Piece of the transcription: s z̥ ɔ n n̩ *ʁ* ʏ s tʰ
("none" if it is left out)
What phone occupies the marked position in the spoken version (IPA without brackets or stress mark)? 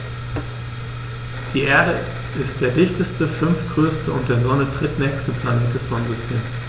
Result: z